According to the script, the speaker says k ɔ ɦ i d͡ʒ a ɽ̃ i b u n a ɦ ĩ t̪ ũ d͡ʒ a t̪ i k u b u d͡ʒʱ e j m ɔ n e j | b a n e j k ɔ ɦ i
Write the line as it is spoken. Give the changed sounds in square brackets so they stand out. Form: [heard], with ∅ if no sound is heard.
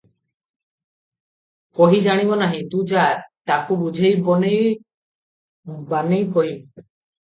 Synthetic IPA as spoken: k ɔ ɦ i d͡ʒ a ɽ̃ i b [ɔ] n a ɦ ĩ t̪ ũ d͡ʒ a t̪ [a] k u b u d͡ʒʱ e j [b] ɔ n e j | b a n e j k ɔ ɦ i